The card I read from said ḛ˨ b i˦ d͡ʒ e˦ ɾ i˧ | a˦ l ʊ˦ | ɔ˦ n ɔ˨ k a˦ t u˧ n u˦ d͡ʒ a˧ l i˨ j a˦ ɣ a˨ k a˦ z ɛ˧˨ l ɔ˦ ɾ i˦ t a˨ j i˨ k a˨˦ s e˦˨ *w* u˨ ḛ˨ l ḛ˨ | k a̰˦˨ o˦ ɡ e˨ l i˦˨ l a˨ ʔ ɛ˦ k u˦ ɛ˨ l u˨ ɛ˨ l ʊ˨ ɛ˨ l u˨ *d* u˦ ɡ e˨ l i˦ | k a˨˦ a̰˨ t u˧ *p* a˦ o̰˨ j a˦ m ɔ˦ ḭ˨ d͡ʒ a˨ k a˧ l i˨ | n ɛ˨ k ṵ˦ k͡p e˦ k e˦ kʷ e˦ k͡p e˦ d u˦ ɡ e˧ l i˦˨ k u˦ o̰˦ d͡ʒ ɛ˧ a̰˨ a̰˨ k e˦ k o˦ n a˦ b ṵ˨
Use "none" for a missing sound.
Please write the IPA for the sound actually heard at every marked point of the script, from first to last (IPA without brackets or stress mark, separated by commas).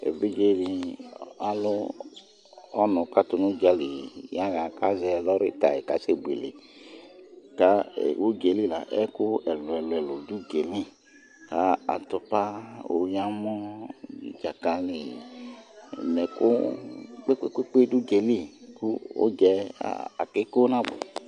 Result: b, d, p